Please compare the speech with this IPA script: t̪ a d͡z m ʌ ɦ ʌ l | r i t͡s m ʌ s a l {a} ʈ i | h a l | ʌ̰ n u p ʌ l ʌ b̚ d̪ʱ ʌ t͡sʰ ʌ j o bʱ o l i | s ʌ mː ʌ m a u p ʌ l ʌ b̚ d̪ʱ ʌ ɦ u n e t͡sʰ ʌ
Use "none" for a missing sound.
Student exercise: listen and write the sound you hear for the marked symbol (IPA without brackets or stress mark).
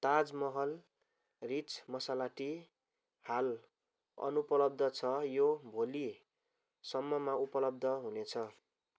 a